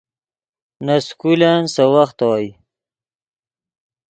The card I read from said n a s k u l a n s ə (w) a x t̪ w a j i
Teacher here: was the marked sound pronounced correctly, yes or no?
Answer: yes